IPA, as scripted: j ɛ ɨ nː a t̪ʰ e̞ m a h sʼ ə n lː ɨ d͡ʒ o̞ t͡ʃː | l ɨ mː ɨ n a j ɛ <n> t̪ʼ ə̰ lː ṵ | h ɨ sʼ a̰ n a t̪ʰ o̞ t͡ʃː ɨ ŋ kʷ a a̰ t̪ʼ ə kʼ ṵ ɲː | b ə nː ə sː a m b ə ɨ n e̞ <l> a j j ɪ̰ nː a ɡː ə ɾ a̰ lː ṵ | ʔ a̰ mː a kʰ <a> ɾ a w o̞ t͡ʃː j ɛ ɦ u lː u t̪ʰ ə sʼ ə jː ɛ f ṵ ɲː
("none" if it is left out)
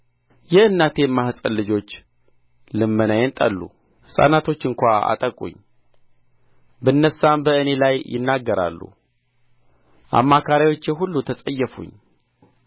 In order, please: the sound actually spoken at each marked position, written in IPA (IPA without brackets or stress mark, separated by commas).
n, l, a